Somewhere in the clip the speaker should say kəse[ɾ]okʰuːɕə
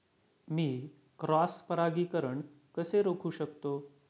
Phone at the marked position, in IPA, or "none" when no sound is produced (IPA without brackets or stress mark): ɾ